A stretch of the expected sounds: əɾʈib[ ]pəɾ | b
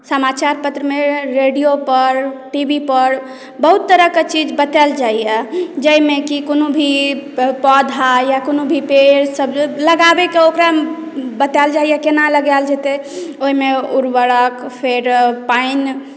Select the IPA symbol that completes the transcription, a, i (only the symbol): i